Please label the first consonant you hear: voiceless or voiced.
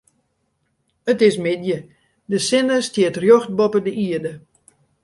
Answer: voiceless